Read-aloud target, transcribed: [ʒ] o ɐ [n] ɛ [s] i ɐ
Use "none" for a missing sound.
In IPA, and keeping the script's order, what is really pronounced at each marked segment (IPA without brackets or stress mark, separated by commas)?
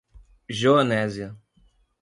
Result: ʒ, n, z